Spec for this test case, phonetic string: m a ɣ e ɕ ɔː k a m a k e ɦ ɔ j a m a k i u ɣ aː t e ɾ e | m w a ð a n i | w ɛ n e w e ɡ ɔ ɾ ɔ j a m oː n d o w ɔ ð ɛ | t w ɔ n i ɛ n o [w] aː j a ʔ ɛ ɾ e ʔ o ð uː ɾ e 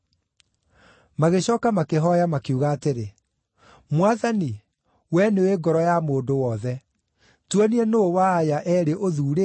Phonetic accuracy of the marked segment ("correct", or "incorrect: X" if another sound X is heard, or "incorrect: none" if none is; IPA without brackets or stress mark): correct